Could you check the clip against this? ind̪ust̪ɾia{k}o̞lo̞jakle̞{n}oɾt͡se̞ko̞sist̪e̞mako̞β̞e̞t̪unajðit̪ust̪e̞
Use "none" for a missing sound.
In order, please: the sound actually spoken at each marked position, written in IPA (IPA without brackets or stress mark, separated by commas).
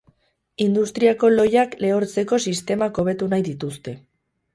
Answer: k, none